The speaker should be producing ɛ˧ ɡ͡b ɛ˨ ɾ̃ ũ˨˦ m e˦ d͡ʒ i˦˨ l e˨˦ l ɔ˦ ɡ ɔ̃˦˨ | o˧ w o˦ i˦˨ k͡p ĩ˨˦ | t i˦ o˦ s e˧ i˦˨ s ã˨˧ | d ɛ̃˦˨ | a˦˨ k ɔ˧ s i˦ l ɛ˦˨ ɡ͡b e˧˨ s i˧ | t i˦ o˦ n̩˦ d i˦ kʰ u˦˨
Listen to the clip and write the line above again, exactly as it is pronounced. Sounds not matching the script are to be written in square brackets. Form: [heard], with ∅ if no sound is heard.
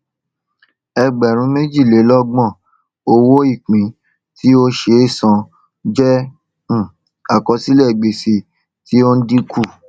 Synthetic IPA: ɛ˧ ɡ͡b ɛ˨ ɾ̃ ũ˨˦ m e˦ d͡ʒ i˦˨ l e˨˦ l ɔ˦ [ɡ͡b] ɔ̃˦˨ | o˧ w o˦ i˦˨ k͡p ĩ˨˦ | t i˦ o˦ [ʃ] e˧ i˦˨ s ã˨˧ | [d͡ʒ] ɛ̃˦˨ | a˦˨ k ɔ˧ s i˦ l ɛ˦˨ ɡ͡b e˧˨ s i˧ | t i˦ o˦ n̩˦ d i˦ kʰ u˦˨